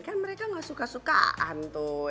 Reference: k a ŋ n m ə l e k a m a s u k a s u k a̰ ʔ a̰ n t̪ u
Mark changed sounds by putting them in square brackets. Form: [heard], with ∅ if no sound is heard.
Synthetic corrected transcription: k a [∅] n m ə [ɾ] e k a [ŋ] a s u k a s u k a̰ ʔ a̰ n t̪ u